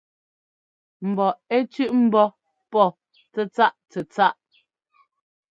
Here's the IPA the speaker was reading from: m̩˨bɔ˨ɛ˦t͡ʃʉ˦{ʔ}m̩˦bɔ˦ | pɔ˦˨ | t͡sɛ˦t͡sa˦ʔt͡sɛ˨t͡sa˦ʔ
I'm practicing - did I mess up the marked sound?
no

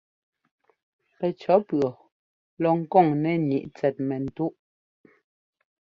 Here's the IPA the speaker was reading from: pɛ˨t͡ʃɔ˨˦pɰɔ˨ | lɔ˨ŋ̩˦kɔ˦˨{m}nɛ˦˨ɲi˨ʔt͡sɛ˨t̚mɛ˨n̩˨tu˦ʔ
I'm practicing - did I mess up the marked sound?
yes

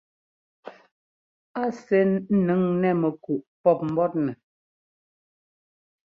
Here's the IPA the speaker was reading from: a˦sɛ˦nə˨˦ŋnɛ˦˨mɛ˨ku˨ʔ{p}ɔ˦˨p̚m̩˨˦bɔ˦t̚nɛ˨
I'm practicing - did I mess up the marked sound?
no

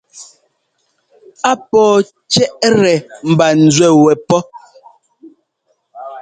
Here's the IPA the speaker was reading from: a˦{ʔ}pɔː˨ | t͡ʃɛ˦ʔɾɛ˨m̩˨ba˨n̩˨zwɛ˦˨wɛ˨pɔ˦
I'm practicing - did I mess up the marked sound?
yes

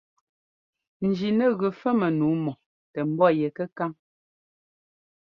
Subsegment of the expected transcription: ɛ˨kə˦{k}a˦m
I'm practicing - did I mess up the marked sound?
no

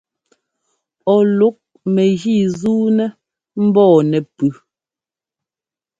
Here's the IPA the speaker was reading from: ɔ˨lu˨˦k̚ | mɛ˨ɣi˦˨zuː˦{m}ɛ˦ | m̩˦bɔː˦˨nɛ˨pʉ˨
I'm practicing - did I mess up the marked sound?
yes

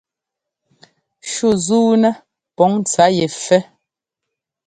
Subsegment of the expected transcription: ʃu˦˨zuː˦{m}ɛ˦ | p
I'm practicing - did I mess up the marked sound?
yes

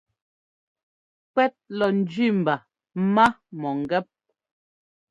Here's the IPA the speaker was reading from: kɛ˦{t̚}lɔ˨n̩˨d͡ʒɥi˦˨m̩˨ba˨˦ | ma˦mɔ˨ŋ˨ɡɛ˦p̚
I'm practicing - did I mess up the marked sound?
no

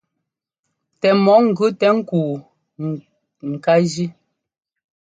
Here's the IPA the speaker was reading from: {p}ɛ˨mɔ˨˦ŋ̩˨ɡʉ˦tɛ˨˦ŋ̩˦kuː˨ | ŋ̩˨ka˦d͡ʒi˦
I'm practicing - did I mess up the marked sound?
yes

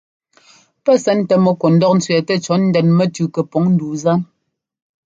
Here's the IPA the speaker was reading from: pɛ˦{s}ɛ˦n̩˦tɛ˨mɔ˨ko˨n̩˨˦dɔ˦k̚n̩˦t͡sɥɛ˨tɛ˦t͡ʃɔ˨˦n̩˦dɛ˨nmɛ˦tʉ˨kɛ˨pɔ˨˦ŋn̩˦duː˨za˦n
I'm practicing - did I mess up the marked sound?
no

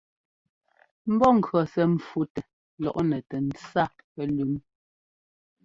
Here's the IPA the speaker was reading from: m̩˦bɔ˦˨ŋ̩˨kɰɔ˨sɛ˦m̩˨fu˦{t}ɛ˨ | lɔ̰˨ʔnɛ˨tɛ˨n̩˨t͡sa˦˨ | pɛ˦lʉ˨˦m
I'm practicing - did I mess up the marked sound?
no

